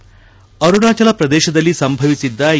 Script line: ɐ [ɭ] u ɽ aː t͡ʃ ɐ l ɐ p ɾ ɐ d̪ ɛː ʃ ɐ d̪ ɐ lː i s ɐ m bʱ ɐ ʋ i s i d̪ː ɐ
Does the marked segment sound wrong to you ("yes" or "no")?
yes